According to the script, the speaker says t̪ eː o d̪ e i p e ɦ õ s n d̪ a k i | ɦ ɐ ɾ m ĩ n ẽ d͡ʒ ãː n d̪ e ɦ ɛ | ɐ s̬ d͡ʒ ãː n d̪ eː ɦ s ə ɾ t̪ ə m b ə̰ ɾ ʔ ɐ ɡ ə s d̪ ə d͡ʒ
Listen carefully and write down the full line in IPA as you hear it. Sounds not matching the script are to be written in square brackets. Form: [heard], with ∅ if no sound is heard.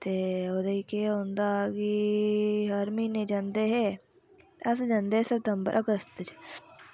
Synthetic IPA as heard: t̪ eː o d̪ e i [k] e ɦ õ [∅] n d̪ a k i | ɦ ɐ ɾ m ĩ n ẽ d͡ʒ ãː n d̪ e ɦ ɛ | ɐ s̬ d͡ʒ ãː n d̪ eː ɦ s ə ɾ t̪ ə m b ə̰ ɾ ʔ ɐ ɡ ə s [t̪] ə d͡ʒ